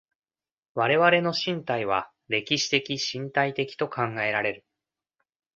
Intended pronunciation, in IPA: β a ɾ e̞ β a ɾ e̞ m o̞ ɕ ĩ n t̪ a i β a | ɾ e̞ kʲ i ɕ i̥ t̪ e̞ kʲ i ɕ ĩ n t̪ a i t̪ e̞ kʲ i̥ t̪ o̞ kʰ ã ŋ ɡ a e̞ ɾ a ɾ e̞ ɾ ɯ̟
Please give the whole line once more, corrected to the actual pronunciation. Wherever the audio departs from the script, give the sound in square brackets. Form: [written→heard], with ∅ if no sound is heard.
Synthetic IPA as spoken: β a ɾ e̞ β a ɾ e̞ [m→n] o̞ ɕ ĩ n t̪ a i β a | ɾ e̞ kʲ i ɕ i̥ t̪ e̞ kʲ i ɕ ĩ n t̪ a i t̪ e̞ kʲ i̥ t̪ o̞ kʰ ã ŋ ɡ a e̞ ɾ a ɾ e̞ ɾ ɯ̟